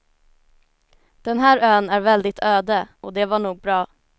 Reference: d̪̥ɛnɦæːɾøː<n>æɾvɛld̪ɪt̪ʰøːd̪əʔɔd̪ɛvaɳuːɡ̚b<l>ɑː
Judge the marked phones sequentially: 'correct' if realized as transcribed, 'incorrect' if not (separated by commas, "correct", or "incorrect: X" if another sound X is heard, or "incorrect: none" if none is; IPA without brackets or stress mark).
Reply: correct, incorrect: ɾ